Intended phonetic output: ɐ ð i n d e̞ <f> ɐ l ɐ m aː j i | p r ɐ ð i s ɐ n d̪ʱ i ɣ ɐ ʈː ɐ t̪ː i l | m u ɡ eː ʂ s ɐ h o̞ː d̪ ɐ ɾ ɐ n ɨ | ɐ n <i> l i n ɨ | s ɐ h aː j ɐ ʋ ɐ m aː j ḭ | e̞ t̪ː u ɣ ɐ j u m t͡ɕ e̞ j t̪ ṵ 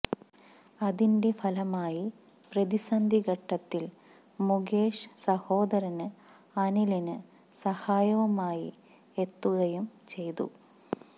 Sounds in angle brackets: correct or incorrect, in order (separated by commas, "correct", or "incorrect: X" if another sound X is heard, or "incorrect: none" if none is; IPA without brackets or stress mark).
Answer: correct, correct